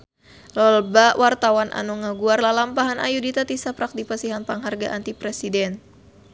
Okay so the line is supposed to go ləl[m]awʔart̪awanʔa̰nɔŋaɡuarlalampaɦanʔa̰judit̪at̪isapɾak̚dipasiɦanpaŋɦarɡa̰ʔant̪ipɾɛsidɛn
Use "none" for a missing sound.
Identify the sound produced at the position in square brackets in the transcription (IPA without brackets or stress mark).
b